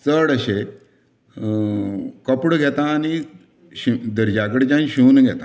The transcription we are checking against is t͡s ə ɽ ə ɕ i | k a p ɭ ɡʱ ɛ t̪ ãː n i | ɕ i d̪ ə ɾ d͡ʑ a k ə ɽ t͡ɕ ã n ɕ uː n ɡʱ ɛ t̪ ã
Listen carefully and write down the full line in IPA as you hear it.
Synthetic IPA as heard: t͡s ə ɽ ə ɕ e | k ə p ɽ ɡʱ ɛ t̪ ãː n i | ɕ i d̪ ə ɾ d͡ʑ a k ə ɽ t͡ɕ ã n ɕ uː n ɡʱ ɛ t̪ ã